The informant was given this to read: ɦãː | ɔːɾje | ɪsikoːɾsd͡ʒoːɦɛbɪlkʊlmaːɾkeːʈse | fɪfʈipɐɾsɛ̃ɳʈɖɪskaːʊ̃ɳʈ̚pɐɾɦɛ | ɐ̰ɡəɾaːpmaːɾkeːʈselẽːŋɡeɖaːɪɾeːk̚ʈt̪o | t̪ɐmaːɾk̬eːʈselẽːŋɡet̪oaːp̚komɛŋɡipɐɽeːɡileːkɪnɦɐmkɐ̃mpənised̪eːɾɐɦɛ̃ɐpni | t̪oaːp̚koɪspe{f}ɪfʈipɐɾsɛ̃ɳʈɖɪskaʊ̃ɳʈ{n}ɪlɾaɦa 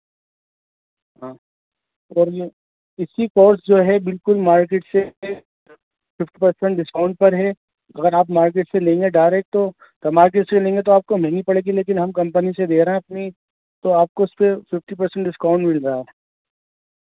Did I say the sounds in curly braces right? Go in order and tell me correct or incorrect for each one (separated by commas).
correct, incorrect